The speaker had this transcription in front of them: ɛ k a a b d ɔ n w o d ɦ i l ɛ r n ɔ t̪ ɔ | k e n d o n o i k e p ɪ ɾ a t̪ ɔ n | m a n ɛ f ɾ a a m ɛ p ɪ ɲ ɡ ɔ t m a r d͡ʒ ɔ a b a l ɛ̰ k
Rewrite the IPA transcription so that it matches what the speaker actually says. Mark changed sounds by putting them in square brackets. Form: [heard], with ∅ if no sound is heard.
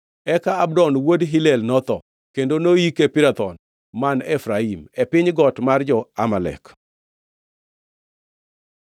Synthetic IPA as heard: ɛ k a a b d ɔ n w o d ɦ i l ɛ [l] n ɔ t̪ ɔ | k e n d o n o i k e p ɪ ɾ a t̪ ɔ n | m a n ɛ f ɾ a [i] m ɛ p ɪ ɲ ɡ ɔ t m a r d͡ʒ ɔ a [m] a l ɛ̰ k